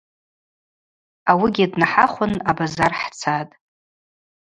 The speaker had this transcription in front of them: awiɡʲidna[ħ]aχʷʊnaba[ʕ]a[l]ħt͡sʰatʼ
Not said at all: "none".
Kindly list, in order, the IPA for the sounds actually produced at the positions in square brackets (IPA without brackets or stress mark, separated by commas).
ħ, z, r